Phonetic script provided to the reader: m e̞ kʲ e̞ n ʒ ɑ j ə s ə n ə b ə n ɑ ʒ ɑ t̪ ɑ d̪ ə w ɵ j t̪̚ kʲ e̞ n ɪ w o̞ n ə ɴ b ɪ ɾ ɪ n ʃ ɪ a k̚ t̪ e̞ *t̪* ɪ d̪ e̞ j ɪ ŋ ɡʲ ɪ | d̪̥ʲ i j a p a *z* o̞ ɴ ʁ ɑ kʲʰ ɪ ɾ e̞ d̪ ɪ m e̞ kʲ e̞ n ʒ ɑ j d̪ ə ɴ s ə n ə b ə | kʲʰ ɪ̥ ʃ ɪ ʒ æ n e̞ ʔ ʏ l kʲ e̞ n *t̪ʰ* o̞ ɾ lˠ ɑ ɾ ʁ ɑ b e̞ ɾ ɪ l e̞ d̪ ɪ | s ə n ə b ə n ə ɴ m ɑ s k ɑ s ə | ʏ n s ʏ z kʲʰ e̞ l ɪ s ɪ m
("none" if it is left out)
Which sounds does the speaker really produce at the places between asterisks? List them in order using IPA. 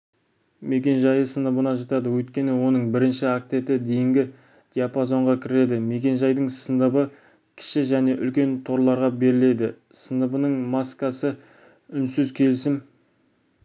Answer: t̪, z, t̪ʰ

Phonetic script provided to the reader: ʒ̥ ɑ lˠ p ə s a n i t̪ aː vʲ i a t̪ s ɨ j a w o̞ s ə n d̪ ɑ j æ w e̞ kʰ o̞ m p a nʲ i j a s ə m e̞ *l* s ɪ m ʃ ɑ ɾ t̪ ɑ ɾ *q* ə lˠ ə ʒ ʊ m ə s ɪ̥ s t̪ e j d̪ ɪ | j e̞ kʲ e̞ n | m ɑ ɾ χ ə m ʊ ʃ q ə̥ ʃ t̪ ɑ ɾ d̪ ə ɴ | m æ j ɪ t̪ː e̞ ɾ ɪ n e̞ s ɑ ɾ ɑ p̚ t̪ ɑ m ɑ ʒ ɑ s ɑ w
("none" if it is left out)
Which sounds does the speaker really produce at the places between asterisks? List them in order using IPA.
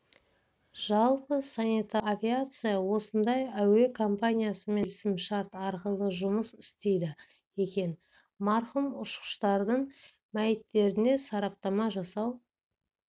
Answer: l, q

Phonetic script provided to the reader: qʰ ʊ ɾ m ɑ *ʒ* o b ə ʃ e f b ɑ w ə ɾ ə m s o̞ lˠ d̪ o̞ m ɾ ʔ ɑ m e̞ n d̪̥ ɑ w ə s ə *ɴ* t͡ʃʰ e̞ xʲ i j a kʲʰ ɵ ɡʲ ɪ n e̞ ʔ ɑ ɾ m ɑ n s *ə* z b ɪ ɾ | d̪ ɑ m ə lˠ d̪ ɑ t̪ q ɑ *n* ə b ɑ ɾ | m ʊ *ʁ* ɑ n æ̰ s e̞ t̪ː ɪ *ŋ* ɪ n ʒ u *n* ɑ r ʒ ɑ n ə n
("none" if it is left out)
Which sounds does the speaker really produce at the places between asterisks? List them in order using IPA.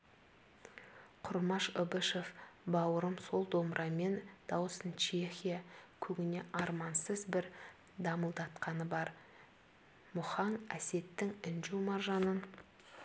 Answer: ʃ, n, ə, n, χ, ŋ, m

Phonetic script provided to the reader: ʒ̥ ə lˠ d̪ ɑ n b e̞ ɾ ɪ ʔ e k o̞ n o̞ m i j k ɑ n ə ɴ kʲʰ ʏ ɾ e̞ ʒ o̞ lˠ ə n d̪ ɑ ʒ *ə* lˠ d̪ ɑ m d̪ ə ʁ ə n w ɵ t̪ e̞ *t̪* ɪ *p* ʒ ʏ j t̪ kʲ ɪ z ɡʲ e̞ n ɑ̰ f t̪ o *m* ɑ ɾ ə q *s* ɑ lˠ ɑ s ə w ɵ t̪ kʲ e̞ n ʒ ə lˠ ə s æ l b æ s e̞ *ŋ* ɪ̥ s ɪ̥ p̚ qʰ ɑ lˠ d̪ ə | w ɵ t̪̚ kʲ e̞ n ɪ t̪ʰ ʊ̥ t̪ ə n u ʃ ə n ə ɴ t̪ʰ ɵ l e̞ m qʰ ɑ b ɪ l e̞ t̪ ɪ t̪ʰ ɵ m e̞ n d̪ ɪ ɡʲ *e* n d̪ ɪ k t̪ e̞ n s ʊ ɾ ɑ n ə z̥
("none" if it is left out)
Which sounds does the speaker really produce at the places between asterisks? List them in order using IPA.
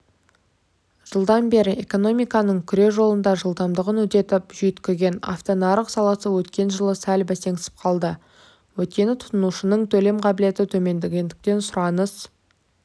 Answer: ə, t̪, p, n, s, ŋ, e

